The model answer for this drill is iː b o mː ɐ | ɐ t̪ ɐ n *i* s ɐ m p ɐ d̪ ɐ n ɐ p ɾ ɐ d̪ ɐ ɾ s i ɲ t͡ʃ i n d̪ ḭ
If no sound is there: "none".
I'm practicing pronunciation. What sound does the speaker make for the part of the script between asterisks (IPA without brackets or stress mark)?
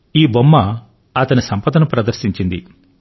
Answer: i